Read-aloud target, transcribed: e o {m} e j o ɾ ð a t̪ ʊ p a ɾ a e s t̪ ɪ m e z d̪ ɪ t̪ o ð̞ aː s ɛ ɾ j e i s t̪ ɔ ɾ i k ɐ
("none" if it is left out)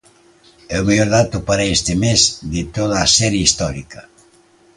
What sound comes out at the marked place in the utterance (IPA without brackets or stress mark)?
m